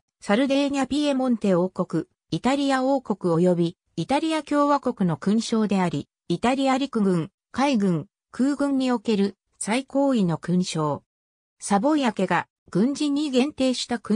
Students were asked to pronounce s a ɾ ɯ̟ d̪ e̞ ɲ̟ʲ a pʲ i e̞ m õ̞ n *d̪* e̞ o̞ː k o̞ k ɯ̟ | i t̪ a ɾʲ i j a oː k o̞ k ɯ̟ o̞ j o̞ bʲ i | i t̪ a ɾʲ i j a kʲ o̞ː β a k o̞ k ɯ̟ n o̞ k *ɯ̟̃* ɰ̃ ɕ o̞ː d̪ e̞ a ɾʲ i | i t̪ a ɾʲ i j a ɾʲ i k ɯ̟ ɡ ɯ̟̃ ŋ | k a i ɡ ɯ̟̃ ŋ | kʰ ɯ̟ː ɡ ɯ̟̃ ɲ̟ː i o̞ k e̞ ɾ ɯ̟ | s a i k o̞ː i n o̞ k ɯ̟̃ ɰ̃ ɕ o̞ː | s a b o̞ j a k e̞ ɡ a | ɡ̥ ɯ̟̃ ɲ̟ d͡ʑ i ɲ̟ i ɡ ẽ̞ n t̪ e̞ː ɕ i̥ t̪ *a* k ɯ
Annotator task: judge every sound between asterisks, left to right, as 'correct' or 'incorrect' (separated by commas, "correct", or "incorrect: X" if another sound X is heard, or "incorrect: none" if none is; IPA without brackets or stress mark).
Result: incorrect: t̪, correct, correct